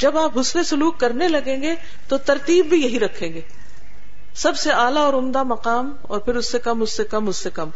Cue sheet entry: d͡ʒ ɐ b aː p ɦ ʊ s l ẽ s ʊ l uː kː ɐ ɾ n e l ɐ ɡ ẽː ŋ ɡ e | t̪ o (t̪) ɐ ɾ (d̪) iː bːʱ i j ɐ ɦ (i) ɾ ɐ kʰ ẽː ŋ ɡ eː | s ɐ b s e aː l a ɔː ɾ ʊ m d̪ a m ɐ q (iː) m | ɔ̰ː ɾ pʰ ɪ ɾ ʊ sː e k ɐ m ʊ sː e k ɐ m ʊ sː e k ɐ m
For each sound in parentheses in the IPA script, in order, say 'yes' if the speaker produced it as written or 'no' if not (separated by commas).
yes, no, yes, no